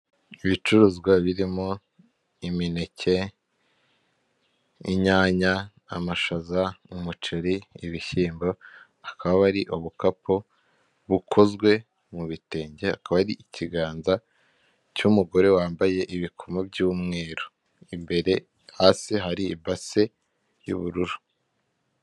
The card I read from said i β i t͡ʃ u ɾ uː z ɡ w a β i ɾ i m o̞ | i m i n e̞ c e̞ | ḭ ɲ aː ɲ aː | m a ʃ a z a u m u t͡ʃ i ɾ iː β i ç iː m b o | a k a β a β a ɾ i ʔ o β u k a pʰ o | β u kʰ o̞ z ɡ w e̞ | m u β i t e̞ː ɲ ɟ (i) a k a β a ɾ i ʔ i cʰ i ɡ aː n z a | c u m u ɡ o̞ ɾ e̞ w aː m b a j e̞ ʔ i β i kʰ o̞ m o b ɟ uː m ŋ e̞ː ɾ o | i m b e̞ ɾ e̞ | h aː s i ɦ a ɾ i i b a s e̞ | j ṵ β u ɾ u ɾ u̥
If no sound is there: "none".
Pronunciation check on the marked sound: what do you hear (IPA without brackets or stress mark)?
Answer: e